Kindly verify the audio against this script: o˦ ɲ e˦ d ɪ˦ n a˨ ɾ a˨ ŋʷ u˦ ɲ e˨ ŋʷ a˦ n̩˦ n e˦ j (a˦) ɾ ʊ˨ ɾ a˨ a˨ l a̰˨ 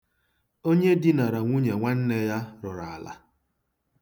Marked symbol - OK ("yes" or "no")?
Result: yes